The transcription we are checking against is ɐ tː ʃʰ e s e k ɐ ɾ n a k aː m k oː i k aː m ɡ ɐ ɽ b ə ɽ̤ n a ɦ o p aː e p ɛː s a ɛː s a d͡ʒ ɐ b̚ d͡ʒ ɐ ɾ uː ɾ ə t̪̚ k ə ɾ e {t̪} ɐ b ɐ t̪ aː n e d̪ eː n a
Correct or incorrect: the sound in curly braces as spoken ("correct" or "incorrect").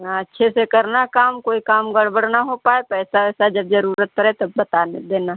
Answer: correct